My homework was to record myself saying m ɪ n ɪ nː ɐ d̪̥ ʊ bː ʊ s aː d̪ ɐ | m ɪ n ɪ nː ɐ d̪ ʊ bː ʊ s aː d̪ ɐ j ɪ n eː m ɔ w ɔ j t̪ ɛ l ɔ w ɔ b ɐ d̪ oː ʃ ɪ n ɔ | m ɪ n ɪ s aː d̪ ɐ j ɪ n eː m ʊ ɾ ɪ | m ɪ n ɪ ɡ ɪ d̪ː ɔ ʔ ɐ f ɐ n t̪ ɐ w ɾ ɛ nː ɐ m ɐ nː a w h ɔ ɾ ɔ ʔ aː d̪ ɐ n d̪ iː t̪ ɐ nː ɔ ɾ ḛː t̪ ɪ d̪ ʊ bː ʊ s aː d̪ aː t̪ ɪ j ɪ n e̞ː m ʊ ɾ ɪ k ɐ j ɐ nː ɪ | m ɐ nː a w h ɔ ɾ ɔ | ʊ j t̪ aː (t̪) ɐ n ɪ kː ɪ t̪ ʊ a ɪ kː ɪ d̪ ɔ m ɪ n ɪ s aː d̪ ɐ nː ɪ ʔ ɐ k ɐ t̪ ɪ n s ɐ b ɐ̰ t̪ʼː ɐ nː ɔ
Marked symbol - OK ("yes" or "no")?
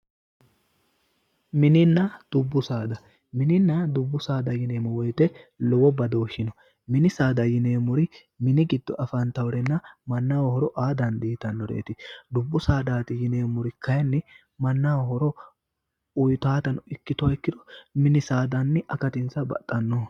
yes